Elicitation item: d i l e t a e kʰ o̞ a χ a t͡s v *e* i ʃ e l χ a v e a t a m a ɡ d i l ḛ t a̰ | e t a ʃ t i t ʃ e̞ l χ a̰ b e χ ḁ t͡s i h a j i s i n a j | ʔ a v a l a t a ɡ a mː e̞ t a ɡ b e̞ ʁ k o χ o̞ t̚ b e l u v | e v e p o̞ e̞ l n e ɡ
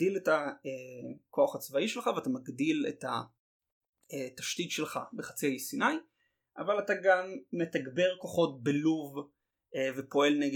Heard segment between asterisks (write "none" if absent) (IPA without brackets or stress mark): a